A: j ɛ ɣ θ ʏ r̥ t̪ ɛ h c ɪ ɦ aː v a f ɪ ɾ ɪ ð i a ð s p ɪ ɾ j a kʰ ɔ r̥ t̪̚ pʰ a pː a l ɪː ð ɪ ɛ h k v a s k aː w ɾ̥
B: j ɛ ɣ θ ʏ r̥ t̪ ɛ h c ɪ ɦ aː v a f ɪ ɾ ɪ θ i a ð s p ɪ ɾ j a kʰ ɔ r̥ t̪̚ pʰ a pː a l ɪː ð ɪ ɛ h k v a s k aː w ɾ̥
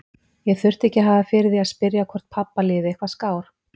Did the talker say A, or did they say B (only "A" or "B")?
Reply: A